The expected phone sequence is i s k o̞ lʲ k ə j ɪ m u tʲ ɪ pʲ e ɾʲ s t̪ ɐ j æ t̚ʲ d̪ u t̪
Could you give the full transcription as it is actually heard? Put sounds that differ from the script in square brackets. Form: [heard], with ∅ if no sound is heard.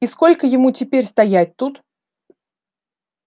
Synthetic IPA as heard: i s k o̞ lʲ k ə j ɪ m u tʲ ɪ pʲ e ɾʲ s t̪ ɐ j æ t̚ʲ [t̪] u t̪